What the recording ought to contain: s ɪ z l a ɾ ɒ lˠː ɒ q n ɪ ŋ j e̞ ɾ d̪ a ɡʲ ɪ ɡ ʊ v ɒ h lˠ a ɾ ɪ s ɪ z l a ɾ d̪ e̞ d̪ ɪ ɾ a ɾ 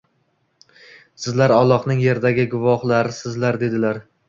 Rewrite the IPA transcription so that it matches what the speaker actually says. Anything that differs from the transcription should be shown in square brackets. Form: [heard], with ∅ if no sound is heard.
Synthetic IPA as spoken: s ɪ z l a ɾ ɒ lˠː ɒ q n ɪ ŋ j e̞ ɾ d̪ a ɡʲ ɪ ɡ ʊ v ɒ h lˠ a ɾ ɪ s ɪ z l a ɾ d̪ e̞ d̪ ɪ [l] a ɾ